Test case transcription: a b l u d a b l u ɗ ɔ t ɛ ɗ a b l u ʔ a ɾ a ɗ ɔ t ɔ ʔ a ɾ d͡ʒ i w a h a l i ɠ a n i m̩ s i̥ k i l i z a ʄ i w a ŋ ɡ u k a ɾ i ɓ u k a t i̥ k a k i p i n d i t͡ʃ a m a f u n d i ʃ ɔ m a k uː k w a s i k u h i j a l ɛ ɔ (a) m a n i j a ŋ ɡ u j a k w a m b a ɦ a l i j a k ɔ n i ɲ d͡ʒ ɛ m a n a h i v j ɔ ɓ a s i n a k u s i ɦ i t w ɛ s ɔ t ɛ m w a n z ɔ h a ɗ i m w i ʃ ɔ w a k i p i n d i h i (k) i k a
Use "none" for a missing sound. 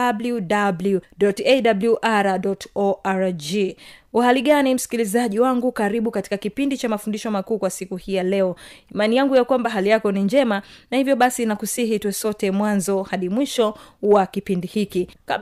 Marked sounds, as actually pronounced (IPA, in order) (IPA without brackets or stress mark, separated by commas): i, k